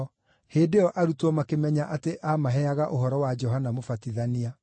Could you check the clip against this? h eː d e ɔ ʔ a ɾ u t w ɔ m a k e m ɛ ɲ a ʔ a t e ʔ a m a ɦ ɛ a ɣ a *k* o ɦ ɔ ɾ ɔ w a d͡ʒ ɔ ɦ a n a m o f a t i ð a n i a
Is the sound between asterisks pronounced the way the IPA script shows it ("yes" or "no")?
no